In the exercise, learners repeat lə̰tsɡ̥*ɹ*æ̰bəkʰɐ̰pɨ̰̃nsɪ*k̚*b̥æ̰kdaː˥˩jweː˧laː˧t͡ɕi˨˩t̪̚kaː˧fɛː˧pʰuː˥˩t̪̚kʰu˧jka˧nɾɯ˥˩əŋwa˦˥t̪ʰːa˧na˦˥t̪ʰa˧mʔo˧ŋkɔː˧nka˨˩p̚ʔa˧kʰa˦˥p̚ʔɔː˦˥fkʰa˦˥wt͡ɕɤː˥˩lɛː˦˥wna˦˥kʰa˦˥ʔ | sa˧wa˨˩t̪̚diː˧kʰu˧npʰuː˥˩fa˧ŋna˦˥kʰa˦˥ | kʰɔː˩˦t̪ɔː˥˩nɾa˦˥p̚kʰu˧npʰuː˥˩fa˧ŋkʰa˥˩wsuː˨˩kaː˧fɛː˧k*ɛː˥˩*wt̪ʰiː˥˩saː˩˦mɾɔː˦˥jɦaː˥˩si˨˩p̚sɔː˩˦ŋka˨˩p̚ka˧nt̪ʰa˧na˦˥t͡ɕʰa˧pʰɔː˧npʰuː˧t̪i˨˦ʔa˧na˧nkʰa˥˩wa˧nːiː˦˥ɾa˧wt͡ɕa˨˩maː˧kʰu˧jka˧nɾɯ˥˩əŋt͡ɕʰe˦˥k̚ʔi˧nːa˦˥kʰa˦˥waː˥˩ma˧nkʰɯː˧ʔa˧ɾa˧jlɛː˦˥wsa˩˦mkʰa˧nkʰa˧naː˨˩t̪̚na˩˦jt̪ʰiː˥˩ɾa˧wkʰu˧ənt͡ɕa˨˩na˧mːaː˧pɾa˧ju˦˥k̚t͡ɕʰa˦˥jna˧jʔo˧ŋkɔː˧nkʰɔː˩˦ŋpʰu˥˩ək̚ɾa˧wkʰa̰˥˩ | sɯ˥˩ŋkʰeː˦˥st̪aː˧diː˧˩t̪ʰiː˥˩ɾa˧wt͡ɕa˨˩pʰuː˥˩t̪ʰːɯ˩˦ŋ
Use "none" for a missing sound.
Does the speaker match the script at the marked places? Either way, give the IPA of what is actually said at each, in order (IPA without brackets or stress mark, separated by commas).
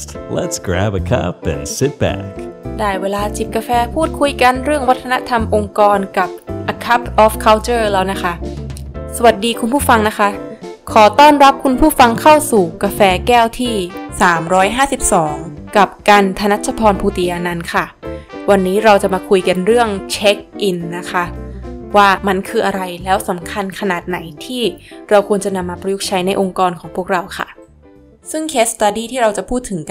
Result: ɹ, t̚, ɛː˥˩